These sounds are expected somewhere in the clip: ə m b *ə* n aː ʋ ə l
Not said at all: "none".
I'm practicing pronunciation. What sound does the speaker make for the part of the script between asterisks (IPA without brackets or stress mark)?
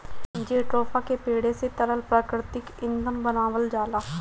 ə